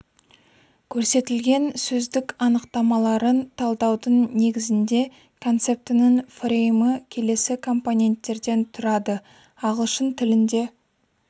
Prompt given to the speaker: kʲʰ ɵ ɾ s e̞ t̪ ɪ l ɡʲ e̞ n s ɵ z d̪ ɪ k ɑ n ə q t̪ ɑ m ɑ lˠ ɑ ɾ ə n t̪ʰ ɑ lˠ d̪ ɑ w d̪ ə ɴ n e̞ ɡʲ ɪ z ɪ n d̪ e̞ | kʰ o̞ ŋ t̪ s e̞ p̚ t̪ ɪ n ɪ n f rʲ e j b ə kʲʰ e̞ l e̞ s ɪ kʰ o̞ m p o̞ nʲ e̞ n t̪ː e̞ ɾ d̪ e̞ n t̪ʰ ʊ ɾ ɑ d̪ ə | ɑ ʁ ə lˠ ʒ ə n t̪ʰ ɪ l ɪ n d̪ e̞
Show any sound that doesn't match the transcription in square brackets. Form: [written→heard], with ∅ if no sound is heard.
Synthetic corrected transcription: kʲʰ ɵ ɾ s e̞ t̪ ɪ l ɡʲ e̞ n s ɵ z d̪ ɪ k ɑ n ə q t̪ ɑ m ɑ lˠ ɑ ɾ ə n t̪ʰ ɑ lˠ d̪ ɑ w d̪ ə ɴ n e̞ ɡʲ ɪ z ɪ n d̪ e̞ | kʰ o̞ [ŋ→n] t̪ s e̞ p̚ t̪ ɪ n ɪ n f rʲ e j [b→m] ə kʲʰ e̞ l e̞ s ɪ kʰ o̞ m p o̞ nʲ e̞ n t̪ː e̞ ɾ d̪ e̞ n t̪ʰ ʊ ɾ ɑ d̪ ə | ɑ ʁ ə lˠ [ʒ→ʃ] ə n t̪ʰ ɪ l ɪ n d̪ e̞